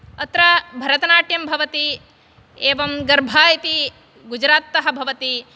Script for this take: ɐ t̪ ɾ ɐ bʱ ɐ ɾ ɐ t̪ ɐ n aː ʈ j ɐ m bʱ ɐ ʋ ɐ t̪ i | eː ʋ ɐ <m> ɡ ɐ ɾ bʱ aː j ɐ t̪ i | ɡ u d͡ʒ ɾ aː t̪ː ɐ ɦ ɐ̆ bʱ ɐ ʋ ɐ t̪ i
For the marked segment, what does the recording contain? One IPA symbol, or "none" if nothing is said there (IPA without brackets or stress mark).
m